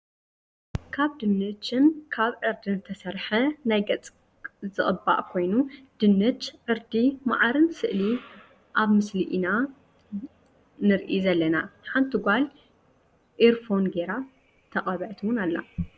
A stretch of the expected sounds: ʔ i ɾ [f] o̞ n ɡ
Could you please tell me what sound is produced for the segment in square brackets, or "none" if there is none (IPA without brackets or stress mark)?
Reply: f